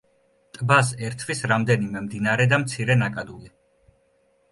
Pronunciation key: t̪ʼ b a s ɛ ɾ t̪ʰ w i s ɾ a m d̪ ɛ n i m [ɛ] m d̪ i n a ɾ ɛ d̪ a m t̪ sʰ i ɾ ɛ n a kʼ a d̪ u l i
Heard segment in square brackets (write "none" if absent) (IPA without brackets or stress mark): ɛ